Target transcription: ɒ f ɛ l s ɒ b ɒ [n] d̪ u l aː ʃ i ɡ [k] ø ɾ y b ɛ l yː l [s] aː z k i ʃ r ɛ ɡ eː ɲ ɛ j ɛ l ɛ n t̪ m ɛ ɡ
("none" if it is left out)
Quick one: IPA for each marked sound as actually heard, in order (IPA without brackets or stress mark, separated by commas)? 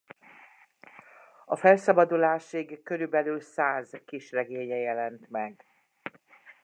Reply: none, k, s